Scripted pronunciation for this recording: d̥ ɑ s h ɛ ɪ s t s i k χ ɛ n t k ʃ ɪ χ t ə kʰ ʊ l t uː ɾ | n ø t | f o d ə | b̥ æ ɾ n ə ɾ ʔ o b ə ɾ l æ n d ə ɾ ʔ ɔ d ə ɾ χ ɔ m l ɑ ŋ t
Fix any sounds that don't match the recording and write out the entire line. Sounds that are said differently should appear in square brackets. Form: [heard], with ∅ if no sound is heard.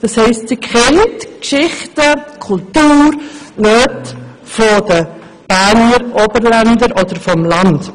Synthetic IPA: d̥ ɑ s h ɛ ɪ s t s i k χ ɛ n t k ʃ ɪ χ t ə kʰ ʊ l t uː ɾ | n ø t | f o d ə | b̥ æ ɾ n ə ɾ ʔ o b ə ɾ l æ n d ə ɾ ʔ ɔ d ə ɾ [f] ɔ m l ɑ [n] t